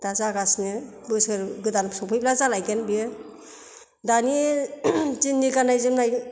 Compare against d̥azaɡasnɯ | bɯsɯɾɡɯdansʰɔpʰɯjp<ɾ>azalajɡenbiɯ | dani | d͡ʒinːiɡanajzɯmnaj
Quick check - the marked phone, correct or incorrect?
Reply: incorrect